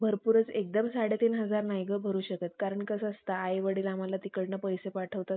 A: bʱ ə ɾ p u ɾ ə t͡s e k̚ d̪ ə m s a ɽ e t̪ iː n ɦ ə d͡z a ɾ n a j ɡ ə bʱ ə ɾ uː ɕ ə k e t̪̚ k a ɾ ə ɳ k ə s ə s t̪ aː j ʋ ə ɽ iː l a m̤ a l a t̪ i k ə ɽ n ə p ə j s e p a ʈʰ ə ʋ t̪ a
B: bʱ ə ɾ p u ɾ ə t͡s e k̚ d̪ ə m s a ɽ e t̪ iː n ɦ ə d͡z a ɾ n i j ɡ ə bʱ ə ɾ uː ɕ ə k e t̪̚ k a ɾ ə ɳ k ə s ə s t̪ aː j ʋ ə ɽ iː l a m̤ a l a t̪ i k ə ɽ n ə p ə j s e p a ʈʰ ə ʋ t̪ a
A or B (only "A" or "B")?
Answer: A